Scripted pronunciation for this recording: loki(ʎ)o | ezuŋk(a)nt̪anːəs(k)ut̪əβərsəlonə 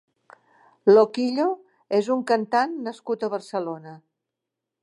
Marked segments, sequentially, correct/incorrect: correct, incorrect: ə, correct

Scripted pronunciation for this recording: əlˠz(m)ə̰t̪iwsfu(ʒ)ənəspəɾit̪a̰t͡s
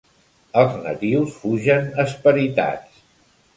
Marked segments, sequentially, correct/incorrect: incorrect: n, correct

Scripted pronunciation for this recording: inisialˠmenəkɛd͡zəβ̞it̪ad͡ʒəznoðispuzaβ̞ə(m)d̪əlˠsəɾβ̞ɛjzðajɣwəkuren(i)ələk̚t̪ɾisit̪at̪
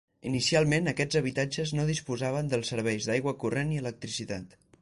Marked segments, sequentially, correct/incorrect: incorrect: n, correct

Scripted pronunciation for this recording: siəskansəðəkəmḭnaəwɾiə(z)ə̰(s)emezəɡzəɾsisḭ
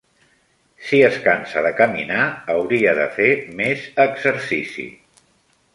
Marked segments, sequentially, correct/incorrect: incorrect: ð, incorrect: f

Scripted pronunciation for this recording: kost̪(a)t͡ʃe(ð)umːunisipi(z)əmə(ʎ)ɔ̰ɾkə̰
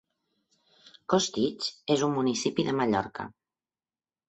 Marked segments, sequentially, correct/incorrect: incorrect: i, incorrect: z, incorrect: ð, correct

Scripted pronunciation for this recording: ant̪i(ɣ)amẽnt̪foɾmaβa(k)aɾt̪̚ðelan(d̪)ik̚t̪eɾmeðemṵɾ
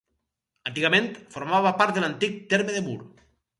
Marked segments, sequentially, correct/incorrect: correct, incorrect: p, incorrect: t̪

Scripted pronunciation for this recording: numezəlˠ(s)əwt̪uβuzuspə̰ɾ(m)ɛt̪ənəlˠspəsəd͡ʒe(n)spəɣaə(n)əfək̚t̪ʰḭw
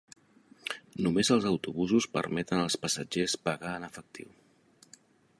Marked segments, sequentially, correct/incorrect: incorrect: z, correct, incorrect: none, correct

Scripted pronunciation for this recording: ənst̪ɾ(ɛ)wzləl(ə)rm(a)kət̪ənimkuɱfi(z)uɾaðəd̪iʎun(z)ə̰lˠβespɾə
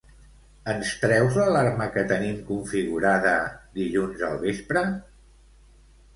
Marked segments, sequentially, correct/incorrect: correct, incorrect: a, incorrect: ə, incorrect: ɣ, correct

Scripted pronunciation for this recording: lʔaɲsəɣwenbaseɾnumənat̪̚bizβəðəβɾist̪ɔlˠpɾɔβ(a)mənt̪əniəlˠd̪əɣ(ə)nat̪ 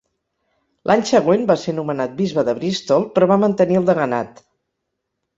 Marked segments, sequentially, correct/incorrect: correct, correct

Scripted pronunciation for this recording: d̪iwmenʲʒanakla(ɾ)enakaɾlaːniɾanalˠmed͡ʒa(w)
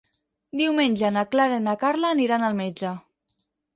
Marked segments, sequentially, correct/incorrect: correct, incorrect: none

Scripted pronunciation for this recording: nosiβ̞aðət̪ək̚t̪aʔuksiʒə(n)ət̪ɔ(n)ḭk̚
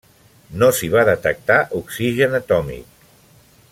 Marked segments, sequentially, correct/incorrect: correct, incorrect: m

